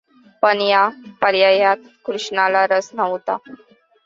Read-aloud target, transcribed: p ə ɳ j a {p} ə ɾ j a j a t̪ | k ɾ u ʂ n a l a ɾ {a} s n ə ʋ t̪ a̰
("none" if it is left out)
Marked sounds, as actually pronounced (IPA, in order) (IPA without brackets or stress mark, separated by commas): p, ə